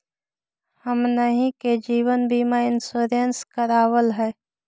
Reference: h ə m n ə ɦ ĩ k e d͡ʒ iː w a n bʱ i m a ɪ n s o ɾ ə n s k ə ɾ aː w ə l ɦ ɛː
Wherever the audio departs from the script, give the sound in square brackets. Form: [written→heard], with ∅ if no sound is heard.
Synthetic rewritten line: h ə m n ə ɦ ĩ k e d͡ʒ iː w [a→ə] n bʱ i m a ɪ n s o ɾ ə n s k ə ɾ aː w ə l ɦ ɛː